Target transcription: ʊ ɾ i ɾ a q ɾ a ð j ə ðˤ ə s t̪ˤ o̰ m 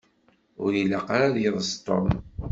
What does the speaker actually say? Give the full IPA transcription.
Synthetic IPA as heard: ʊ ɾ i l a q ɾ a ð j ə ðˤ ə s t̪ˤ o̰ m